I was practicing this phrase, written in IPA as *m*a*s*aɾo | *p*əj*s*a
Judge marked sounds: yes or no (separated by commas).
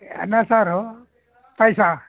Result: no, yes, yes, yes